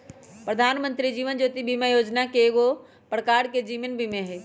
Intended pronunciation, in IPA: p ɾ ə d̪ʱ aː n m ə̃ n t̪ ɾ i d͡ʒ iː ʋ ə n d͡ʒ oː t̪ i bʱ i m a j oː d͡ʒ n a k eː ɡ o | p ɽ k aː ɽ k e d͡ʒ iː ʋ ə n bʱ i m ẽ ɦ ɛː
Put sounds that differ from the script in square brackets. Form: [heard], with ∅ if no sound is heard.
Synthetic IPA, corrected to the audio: p ɾ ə d̪ʱ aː n m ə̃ n t̪ ɾ i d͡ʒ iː ʋ ə n d͡ʒ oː t̪ i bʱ i m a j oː d͡ʒ n a k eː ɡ o | p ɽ k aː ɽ k e d͡ʒ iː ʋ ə n bʱ i m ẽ ɦ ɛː